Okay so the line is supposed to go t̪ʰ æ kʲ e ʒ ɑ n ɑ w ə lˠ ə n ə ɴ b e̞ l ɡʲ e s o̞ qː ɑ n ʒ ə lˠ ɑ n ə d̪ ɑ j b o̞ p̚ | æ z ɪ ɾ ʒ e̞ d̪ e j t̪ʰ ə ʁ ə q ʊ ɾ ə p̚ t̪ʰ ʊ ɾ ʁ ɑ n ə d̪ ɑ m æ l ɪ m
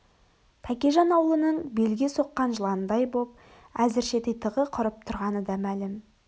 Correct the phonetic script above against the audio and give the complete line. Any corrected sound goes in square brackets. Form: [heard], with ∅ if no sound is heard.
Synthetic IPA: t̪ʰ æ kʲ e ʒ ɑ n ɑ w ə lˠ ə n ə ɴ b e̞ l ɡʲ e s o̞ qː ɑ n ʒ ə lˠ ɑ n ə d̪ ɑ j b o̞ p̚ | æ z ɪ ɾ [ʃ] e̞ [t̪] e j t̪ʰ ə ʁ ə [qʰ] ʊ ɾ ə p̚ t̪ʰ ʊ ɾ ʁ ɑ n ə d̪ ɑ m æ l ɪ m